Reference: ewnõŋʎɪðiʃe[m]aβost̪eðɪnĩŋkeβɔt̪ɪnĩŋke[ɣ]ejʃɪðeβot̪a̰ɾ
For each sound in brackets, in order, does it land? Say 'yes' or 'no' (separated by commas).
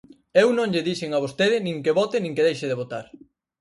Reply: no, no